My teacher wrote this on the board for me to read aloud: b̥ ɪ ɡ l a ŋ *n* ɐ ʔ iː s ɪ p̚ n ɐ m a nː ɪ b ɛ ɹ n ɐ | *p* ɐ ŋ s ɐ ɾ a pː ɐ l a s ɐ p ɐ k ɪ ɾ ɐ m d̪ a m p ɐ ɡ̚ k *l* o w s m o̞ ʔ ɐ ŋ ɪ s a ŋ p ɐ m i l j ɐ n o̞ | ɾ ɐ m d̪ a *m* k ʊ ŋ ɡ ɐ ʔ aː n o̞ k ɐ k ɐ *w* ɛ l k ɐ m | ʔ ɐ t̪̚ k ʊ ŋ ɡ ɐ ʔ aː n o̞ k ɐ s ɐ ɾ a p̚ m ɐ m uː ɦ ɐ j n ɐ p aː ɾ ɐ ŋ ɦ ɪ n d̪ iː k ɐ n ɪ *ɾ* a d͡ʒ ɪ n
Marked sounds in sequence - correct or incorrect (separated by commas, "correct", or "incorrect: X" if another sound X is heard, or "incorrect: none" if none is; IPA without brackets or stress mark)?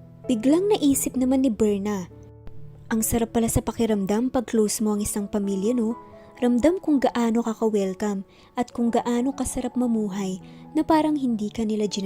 correct, incorrect: ʔ, correct, correct, correct, incorrect: l